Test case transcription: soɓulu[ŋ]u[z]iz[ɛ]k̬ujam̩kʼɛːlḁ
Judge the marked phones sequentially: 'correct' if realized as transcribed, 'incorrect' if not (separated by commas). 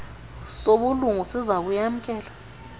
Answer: correct, incorrect, incorrect